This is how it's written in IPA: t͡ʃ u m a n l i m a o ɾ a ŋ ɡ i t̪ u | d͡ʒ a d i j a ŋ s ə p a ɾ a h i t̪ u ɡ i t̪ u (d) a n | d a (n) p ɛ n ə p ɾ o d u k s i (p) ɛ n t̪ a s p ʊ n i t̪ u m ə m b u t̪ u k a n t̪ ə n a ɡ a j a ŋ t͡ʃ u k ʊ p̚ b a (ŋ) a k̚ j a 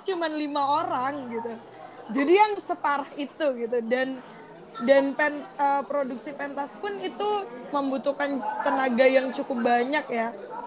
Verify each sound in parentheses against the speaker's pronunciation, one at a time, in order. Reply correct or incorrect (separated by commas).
correct, correct, correct, incorrect